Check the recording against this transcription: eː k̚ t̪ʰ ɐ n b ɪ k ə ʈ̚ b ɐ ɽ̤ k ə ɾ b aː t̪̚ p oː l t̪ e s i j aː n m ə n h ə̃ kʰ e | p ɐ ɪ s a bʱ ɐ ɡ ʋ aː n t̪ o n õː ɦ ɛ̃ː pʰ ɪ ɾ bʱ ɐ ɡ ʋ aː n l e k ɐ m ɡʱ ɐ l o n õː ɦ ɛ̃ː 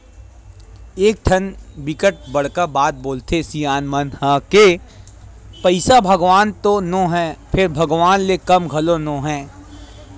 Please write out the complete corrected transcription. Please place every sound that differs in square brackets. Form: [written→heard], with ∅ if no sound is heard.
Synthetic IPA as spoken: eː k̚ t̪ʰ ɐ n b ɪ k ə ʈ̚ b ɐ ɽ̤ k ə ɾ b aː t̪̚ [p→b] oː l t̪ e s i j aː n m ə n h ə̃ [kʰ→k] e | p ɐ ɪ s a bʱ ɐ ɡ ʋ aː n t̪ o n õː ɦ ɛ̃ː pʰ ɪ ɾ bʱ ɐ ɡ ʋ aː n l e k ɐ m ɡʱ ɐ l o n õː ɦ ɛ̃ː